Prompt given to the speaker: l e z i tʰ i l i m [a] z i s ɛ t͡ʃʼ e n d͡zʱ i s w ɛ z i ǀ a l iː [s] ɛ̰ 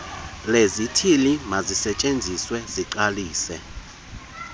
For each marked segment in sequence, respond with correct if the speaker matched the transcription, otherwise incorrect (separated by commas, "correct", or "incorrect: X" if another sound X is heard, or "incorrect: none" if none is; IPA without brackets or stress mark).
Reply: correct, correct